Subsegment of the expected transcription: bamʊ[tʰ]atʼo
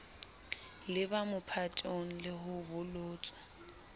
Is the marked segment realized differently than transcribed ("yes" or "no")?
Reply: yes